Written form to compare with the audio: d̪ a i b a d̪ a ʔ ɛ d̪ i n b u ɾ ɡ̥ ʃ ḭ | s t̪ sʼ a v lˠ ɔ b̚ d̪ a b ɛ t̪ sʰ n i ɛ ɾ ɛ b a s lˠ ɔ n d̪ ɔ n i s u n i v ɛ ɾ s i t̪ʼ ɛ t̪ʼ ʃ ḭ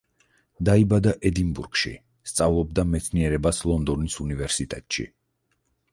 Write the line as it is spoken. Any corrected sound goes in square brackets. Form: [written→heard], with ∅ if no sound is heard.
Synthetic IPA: d̪ a i b a d̪ a ʔ ɛ d̪ i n b u ɾ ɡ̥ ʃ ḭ | s t̪ sʼ a v lˠ ɔ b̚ d̪ a [b→m] ɛ t̪ sʰ n i ɛ ɾ ɛ b a s lˠ ɔ n d̪ ɔ n i s u n i v ɛ ɾ s i t̪ʼ ɛ t̪ʼ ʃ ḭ

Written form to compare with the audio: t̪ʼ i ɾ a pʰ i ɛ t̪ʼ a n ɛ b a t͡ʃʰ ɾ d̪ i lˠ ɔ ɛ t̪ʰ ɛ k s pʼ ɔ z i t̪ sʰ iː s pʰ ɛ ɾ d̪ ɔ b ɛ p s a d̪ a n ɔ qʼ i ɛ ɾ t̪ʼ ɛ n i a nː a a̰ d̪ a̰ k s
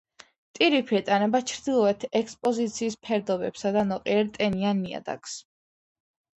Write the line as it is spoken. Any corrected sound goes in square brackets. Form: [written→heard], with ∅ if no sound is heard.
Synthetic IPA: t̪ʼ i ɾ [a→i] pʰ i ɛ t̪ʼ a n ɛ b a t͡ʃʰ ɾ d̪ i lˠ ɔ ɛ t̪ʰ ɛ k s pʼ ɔ z i t̪ sʰ iː s pʰ ɛ ɾ d̪ ɔ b ɛ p s a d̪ a n ɔ qʼ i ɛ ɾ t̪ʼ ɛ n i a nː [a→i] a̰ d̪ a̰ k s

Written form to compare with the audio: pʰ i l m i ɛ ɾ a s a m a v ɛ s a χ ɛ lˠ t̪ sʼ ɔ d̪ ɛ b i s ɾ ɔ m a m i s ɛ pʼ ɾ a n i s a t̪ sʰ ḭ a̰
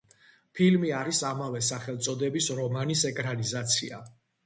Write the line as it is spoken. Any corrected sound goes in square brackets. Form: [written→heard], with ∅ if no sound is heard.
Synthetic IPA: pʰ i l m i [ɛ→a] ɾ [a→i] s a m a v ɛ s a χ ɛ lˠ t̪ sʼ ɔ d̪ ɛ b i s ɾ ɔ m a [m→n] i s ɛ [pʼ→kʼ] ɾ a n i [s→z] a t̪ sʰ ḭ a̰

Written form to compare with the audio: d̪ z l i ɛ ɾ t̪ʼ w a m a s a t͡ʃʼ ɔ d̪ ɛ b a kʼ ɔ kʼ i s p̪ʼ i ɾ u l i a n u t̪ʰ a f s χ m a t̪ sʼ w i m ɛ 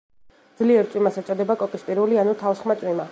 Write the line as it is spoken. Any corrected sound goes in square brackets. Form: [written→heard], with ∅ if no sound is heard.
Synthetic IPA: d̪ z l i ɛ ɾ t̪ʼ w [a→i] m a s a t͡ʃʼ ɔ d̪ ɛ b a kʼ ɔ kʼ i s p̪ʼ i ɾ u l i a n u t̪ʰ a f s χ m a t̪ sʼ w i m [ɛ→a]

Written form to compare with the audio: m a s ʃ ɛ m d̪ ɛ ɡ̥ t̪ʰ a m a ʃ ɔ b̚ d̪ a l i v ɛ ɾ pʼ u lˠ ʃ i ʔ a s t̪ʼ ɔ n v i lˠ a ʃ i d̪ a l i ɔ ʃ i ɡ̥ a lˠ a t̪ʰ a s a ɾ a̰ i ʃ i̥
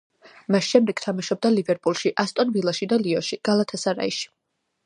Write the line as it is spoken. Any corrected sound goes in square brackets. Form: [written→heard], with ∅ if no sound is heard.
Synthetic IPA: m a s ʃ ɛ m d̪ ɛ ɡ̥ t̪ʰ a m a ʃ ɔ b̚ d̪ a l i v ɛ ɾ pʼ u lˠ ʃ i ʔ a s t̪ʼ ɔ n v i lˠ a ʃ i d̪ a l i ɔ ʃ i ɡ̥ a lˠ a t̪ʰ a s a ɾ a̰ i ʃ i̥

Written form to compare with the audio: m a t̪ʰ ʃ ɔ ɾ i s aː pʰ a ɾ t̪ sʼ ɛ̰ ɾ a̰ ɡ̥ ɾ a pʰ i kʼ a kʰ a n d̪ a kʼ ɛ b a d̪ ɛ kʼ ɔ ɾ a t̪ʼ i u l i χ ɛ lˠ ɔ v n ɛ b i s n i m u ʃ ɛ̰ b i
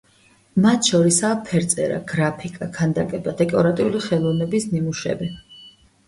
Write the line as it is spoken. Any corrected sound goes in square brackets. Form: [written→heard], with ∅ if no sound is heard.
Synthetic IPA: m a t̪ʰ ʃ ɔ ɾ i s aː pʰ [a→ɛ] ɾ t̪ sʼ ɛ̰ ɾ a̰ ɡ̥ ɾ a pʰ i kʼ a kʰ a n d̪ a kʼ ɛ b a d̪ ɛ kʼ ɔ ɾ a t̪ʼ i u l i χ ɛ lˠ ɔ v n ɛ b i s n i m u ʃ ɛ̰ b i

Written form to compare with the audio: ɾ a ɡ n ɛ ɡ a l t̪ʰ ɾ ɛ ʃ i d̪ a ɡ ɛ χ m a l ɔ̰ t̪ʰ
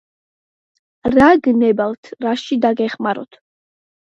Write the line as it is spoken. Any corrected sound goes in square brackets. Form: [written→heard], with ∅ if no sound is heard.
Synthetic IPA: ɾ a ɡ n ɛ [ɡ→b] a l t̪ʰ ɾ [ɛ→a] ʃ i d̪ a ɡ ɛ χ m a [l→ɾ] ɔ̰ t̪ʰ

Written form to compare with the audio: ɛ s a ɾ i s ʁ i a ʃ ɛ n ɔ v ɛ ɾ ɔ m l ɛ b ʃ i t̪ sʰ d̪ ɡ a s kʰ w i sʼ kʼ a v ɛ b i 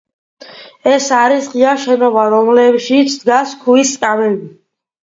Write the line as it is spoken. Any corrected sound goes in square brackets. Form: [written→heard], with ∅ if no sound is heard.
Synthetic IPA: ɛ s a ɾ i s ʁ i a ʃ ɛ n ɔ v [ɛ→a] ɾ ɔ m l ɛ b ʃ i t̪ sʰ d̪ ɡ a s kʰ [w→u] i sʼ kʼ a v ɛ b i

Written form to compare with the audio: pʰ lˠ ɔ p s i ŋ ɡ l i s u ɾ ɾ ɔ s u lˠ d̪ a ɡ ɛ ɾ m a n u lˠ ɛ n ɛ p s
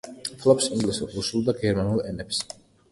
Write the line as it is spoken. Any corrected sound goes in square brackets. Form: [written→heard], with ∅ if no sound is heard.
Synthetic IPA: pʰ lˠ ɔ p s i ŋ ɡ l i s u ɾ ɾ [ɔ→u] s u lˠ d̪ a ɡ ɛ ɾ m a n u lˠ ɛ n ɛ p s

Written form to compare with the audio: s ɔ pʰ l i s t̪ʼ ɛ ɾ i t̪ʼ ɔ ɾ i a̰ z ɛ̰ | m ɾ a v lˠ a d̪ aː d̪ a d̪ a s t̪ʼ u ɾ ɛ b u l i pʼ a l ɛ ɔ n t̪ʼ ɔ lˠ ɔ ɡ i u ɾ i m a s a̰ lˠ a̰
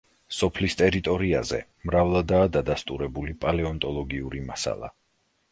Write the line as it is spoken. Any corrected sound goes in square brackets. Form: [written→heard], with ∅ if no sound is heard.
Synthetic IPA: s ɔ pʰ l i s t̪ʼ ɛ ɾ i t̪ʼ ɔ ɾ i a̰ z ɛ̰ | m ɾ a v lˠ a d̪ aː d̪ a d̪ a s t̪ʼ u ɾ ɛ b u l i pʼ a l ɛ ɔ n t̪ʼ ɔ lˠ ɔ ɡ i u ɾ i m a s a̰ lˠ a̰

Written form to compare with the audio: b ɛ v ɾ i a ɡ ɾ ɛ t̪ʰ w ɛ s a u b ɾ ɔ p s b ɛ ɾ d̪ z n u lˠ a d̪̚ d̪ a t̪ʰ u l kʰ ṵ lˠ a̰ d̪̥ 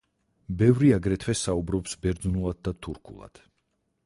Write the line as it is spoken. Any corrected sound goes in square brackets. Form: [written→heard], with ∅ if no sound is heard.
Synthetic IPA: b ɛ v ɾ i a ɡ ɾ ɛ t̪ʰ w ɛ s a u b ɾ ɔ p s b ɛ ɾ d̪ z n u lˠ a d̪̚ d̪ a t̪ʰ u [l→ɾ] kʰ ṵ lˠ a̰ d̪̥

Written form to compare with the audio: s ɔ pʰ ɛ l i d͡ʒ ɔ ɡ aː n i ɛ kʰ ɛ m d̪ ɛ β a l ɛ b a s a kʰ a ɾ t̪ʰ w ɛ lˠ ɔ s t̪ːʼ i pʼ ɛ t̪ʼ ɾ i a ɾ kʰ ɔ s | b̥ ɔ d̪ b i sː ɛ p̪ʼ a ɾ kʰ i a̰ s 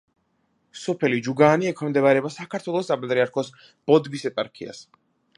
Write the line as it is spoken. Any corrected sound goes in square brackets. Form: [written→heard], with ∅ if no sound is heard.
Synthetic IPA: s ɔ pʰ ɛ l i d͡ʒ [ɔ→u] ɡ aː n i ɛ kʰ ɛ m d̪ ɛ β a [l→ɾ] ɛ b a s a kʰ a ɾ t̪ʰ w ɛ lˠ ɔ s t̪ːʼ [i→a] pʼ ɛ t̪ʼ ɾ i a ɾ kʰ ɔ s | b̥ ɔ d̪ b i [sː→s] ɛ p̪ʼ a ɾ kʰ i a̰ s

